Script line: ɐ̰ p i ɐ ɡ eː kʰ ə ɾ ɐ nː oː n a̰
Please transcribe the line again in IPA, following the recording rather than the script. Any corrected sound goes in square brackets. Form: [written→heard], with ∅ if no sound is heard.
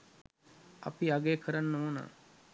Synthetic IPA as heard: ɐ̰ p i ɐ ɡ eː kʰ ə ɾ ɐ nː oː n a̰